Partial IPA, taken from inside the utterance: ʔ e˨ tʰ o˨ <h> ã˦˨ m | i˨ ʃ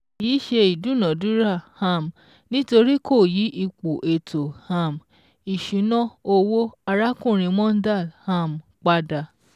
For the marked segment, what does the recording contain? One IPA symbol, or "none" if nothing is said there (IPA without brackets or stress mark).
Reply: h